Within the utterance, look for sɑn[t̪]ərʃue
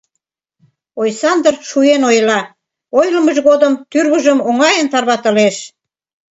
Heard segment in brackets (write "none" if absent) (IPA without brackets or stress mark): d̪